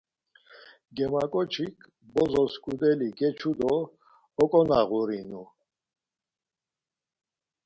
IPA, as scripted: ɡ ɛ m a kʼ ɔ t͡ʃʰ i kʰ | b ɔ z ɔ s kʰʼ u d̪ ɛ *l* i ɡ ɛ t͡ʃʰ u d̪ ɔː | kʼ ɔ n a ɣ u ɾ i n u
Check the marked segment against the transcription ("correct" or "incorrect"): correct